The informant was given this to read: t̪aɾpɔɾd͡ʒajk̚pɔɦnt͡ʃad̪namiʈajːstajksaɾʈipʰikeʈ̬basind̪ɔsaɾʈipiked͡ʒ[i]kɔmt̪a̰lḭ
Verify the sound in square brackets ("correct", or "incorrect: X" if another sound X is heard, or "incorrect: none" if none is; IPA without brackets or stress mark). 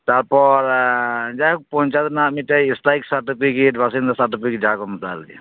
incorrect: a